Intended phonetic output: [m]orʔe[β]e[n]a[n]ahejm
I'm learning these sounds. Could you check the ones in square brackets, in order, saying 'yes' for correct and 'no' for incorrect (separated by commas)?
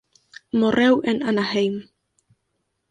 yes, no, yes, yes